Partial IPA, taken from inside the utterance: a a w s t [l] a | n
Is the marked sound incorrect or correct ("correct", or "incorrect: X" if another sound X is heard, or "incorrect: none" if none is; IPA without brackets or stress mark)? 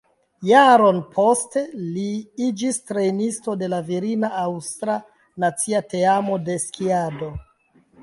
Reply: incorrect: ɾ